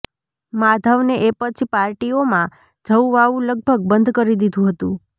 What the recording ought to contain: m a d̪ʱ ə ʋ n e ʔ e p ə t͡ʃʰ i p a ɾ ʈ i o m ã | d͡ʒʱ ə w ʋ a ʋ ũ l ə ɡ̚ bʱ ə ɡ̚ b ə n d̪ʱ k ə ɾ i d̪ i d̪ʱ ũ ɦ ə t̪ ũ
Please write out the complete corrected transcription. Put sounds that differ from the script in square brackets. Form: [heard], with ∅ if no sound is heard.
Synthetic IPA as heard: m a d̪ʱ ə ʋ n e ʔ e p ə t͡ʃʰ i p a ɾ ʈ i o m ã | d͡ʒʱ ə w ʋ a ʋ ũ l ə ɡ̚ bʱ ə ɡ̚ b ə n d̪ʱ k ə ɾ i d̪ i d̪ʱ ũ ɦ ə t̪ ũ